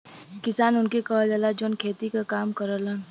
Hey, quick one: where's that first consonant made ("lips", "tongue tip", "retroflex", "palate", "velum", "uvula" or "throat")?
velum